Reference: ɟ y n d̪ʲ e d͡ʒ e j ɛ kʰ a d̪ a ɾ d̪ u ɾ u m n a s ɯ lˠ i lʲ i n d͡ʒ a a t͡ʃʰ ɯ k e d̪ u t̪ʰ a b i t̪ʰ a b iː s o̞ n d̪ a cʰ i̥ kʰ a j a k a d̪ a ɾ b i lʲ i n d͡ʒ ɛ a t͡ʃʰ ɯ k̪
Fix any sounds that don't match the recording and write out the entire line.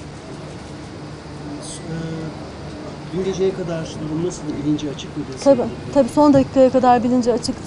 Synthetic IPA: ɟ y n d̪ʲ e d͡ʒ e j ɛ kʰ a d̪ a ɾ d̪ u ɾ u m n a s ɯ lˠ i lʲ i n d͡ʒ ɛ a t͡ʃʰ ɯ k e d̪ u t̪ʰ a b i t̪ʰ a b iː s o̞ n d̪ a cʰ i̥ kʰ a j a k a d̪ a ɾ b i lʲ i n d͡ʒ ɛ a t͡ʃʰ ɯ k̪